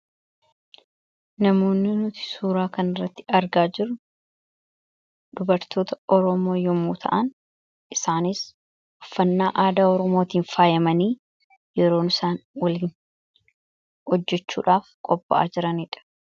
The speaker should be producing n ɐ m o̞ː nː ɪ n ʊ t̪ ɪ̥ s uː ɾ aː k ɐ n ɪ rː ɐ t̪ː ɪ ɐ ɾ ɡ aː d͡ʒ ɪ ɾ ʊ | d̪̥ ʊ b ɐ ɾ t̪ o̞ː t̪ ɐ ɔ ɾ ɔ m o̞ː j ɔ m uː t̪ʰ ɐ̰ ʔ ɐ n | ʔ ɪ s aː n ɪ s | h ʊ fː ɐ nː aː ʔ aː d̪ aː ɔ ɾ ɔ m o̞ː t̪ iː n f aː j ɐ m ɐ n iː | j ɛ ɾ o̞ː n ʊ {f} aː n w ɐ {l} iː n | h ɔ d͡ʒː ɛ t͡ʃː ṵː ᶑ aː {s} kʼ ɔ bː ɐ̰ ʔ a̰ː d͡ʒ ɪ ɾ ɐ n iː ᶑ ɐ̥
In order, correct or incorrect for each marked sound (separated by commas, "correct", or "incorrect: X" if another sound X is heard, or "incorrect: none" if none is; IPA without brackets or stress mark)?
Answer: incorrect: s, correct, incorrect: f